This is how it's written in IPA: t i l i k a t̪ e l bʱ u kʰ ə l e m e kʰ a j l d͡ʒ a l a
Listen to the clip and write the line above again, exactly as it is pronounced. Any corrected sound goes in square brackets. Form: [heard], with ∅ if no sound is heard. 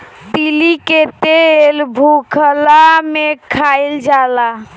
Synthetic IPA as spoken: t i l i k [e] t̪ e l bʱ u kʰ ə l [a] m e kʰ a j l d͡ʒ a l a